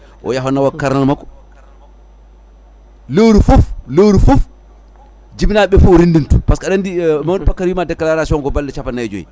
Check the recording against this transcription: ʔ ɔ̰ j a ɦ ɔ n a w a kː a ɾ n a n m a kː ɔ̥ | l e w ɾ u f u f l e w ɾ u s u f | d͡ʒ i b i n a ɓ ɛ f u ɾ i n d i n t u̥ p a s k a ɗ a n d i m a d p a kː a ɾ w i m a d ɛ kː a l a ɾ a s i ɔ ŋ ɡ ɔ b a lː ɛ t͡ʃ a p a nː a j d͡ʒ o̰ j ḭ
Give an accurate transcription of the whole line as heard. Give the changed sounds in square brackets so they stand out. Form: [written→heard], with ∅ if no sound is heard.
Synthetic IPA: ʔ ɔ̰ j a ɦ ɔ n a w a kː a ɾ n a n m a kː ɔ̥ | l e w ɾ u f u f l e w ɾ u [s→f] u f | d͡ʒ i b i n a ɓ ɛ f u ɾ i n d i n t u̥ p a s k a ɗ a n d i m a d p a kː a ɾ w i m a d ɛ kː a l a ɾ a s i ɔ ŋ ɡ ɔ b a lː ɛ t͡ʃ a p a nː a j d͡ʒ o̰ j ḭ